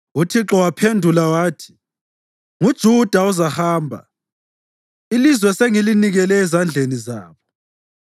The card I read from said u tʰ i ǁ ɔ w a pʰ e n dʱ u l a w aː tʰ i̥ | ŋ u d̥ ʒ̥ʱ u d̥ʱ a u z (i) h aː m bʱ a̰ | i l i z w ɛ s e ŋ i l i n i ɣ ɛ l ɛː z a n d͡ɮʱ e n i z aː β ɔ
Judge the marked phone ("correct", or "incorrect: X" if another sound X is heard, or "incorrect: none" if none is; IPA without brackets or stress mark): incorrect: a